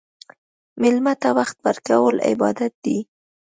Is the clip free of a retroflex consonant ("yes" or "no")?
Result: yes